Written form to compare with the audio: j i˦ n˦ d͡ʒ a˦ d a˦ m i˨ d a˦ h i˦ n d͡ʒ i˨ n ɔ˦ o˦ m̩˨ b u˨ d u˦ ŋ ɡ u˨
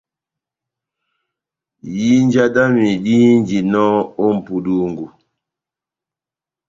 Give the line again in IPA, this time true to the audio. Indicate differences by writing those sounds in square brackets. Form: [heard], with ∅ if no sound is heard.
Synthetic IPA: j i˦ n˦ d͡ʒ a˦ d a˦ m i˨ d [i˦] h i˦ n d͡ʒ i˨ n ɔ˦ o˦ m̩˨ [p] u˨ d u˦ ŋ ɡ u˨